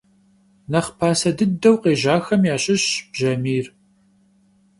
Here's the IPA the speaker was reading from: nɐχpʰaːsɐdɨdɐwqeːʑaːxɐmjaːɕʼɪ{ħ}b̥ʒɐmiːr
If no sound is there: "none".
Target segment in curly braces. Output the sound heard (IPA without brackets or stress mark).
ɕ